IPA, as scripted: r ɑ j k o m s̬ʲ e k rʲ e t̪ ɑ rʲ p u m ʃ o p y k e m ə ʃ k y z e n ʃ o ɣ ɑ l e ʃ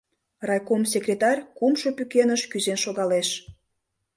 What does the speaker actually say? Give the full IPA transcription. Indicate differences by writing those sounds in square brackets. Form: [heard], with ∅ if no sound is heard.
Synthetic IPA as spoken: r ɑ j k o m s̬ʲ e k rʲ e t̪ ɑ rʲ [k] u m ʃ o p y k e [n] ə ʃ k y z e n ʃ o ɣ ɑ l e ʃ